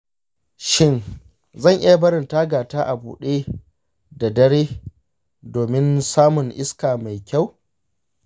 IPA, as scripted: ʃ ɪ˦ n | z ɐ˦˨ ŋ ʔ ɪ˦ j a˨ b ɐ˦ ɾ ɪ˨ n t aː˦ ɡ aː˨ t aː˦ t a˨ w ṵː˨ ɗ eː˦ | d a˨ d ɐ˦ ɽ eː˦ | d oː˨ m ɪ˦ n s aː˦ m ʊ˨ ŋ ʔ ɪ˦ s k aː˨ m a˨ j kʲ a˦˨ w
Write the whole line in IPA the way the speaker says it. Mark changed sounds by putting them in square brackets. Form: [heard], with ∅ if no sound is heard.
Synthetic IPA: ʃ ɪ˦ n | z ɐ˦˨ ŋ ʔ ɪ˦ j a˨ b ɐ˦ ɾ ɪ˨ n t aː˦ ɡ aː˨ t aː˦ [ʔ] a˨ [b] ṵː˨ ɗ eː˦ | d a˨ d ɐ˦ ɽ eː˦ | d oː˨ m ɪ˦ n s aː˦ m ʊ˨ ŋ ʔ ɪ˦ s k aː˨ m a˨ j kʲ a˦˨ w